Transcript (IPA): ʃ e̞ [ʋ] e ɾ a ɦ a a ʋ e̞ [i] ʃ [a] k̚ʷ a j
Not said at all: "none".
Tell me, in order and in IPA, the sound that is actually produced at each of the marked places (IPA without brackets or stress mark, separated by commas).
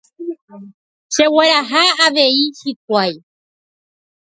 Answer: w, i, i